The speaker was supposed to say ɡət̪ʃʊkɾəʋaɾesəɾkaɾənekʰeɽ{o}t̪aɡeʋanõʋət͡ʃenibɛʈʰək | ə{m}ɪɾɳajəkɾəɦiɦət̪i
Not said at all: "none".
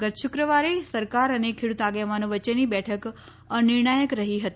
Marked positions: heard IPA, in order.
u, n

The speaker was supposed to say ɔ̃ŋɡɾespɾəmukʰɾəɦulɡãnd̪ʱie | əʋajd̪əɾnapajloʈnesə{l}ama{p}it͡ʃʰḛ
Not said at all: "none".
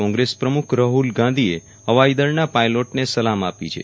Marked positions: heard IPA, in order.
l, p

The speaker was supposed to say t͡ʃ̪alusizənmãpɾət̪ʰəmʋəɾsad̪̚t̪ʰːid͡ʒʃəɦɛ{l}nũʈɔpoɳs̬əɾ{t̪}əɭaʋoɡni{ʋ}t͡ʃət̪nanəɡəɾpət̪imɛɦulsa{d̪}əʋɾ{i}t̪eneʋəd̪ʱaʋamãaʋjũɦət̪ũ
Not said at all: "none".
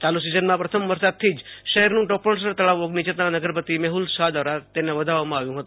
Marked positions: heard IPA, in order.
ɾ, t̪, none, d̪, a

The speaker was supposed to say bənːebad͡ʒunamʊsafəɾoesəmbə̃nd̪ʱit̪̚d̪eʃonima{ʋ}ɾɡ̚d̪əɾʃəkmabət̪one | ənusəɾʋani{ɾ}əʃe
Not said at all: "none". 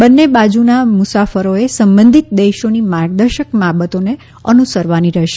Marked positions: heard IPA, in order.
none, ɾ

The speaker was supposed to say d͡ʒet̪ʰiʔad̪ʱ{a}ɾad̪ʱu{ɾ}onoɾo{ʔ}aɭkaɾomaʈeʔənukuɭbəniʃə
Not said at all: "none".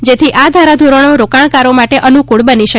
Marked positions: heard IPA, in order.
a, ɾ, k

